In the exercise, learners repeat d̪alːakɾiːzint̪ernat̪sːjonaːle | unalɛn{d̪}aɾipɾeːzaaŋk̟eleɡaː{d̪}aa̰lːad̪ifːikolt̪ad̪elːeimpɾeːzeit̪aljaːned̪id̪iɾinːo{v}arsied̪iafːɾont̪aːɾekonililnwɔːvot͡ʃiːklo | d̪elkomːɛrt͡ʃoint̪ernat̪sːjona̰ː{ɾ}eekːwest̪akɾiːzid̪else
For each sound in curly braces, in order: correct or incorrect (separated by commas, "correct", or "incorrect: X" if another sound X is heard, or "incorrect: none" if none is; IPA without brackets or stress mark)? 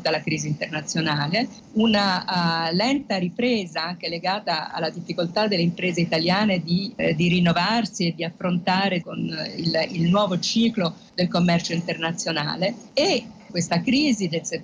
incorrect: t̪, incorrect: t̪, correct, incorrect: l